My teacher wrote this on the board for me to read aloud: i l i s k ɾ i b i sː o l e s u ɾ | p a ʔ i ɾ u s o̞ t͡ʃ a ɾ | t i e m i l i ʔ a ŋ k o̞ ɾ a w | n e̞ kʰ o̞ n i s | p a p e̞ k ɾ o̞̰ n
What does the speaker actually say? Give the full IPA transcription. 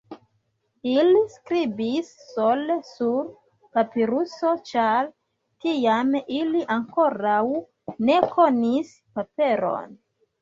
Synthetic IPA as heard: i l i s k ɾ i b i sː o l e s u ɾ | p a p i ɾ u s o̞ t͡ʃ a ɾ | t i a m i l i ʔ a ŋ k o̞ ɾ a w | n e̞ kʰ o̞ n i s | p a p e̞ ɾ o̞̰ n